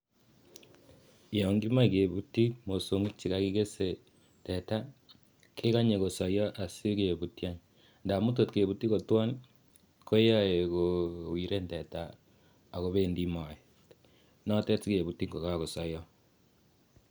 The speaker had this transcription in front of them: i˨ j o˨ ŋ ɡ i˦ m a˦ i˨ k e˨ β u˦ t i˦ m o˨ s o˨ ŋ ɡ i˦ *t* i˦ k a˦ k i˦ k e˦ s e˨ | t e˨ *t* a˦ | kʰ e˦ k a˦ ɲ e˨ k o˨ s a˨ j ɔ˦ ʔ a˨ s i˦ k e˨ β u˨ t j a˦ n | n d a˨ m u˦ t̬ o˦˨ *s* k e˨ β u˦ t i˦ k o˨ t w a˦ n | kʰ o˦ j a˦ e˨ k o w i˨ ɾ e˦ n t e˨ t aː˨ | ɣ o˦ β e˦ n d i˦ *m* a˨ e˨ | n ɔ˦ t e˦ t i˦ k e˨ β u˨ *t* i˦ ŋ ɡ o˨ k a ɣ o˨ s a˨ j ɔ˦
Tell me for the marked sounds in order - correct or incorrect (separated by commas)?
incorrect, correct, incorrect, correct, correct